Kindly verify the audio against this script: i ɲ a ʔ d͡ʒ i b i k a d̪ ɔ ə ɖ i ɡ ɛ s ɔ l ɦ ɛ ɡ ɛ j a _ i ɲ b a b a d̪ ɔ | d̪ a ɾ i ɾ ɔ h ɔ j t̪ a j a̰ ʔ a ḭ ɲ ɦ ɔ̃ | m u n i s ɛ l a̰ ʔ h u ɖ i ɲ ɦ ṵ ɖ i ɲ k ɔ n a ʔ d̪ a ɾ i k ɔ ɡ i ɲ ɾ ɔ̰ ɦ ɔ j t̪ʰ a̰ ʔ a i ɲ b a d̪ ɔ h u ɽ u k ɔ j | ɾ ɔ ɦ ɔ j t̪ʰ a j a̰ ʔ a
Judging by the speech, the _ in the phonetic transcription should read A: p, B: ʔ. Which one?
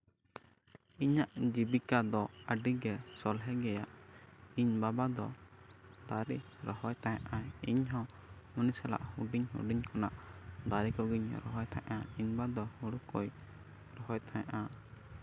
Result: B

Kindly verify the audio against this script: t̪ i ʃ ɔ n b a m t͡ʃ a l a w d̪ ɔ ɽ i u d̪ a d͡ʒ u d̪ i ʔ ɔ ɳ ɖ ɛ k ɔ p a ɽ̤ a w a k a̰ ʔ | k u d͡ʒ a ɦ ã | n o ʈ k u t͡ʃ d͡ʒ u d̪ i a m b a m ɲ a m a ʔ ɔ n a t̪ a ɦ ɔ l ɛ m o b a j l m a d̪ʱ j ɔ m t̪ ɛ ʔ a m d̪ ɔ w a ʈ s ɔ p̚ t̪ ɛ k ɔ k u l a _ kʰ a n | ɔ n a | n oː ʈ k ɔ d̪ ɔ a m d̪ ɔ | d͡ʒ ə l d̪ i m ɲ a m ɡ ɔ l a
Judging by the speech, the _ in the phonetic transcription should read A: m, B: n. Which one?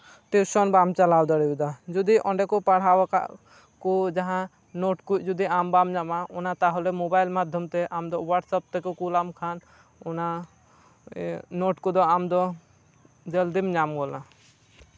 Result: A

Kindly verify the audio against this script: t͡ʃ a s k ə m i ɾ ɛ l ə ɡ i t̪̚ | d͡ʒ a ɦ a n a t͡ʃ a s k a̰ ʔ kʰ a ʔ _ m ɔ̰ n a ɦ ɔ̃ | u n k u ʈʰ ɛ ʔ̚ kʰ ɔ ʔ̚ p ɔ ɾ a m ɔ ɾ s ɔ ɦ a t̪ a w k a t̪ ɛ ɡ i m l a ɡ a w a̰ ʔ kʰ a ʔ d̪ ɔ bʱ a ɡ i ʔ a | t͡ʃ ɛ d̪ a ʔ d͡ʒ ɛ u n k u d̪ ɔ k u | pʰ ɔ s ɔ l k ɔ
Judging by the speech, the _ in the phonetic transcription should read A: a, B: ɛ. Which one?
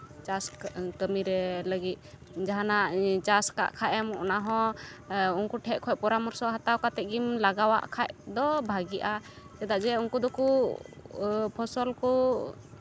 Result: B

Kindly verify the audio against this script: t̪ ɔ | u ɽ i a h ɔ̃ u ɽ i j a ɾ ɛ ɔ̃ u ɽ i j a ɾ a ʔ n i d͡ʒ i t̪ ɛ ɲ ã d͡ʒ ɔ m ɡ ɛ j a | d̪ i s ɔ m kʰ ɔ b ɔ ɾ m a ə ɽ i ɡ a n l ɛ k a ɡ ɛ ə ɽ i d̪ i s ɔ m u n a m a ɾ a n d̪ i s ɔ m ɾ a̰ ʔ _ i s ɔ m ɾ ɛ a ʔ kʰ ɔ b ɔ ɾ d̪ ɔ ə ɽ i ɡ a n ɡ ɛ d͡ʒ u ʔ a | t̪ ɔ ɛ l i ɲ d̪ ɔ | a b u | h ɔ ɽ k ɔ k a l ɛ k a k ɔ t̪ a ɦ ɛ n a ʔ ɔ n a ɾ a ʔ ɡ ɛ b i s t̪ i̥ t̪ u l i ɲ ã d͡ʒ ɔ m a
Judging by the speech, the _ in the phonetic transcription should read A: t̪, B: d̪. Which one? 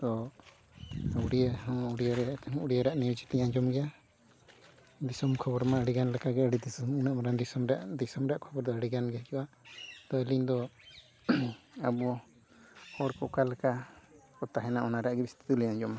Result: B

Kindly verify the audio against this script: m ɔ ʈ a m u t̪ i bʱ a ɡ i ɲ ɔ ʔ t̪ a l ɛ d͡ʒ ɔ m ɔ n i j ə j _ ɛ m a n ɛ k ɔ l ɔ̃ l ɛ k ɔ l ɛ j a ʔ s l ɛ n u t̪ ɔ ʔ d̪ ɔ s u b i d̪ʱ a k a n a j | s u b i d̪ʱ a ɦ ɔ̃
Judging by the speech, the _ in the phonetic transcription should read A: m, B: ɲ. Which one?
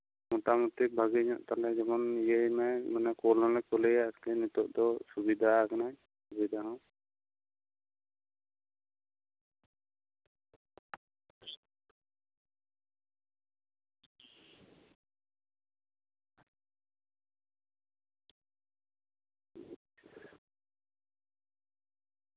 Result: A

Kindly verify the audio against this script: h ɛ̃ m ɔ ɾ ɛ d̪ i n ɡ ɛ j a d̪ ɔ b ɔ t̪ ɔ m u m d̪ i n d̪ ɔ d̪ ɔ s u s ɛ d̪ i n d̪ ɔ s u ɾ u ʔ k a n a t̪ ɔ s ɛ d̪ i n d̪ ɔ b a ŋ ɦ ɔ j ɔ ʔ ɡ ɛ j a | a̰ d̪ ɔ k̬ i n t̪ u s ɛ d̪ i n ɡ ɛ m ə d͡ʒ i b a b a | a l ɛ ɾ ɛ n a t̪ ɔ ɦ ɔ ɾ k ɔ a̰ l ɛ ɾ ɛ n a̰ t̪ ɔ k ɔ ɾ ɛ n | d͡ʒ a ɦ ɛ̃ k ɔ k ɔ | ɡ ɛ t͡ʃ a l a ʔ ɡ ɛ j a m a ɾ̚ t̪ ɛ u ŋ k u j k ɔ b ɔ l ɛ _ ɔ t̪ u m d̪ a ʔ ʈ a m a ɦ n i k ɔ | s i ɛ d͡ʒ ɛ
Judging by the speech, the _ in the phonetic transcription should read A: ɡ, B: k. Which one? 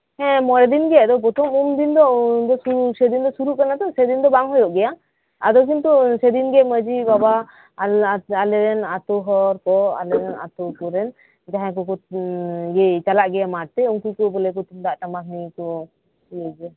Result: B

